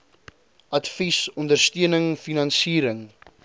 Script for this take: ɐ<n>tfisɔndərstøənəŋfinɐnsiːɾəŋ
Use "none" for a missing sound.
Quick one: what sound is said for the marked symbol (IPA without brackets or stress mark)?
none